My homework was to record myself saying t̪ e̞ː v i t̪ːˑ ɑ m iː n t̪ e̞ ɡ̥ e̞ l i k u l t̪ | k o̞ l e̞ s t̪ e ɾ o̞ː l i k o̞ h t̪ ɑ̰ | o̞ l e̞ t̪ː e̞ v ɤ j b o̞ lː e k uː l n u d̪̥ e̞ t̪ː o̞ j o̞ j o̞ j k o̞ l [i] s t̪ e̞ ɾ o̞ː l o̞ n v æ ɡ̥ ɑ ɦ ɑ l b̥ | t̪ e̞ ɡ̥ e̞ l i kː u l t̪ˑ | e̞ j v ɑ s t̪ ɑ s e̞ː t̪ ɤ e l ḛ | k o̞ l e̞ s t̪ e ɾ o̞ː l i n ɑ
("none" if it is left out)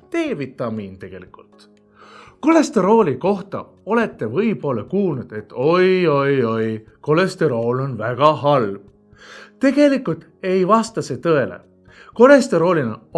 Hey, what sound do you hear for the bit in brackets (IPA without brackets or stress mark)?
e